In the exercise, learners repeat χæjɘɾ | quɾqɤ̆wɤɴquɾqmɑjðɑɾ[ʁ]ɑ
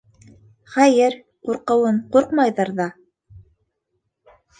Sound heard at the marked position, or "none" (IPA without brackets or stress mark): ð